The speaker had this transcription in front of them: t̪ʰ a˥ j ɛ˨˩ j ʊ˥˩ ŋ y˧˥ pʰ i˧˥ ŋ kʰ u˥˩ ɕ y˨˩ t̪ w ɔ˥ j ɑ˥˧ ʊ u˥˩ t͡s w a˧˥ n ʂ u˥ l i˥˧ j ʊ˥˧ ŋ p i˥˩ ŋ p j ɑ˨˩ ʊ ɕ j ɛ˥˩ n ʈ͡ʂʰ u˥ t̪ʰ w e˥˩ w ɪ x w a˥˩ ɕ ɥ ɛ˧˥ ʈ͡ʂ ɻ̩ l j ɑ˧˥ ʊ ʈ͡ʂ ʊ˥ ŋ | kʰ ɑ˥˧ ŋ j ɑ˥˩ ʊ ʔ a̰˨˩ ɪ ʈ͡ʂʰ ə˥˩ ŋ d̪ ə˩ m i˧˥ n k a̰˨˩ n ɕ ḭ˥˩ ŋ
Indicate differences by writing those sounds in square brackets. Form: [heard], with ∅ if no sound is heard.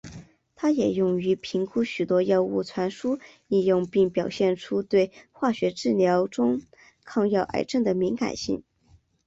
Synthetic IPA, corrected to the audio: t̪ʰ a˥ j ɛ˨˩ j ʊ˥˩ ŋ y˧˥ pʰ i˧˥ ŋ kʰ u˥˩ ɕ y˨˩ t̪ w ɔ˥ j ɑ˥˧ ʊ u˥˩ [t͡sʰ] w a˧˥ n ʂ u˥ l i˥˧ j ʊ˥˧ ŋ p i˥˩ ŋ p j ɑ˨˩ ʊ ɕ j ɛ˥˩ n ʈ͡ʂʰ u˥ [t̪] w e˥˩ [∅] ɪ x w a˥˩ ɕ ɥ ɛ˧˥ ʈ͡ʂ ɻ̩ l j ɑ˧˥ ʊ ʈ͡ʂ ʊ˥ ŋ | kʰ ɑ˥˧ ŋ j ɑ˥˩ ʊ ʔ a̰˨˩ ɪ [ʈ͡ʂ] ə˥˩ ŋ d̪ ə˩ m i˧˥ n k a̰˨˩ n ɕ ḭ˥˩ ŋ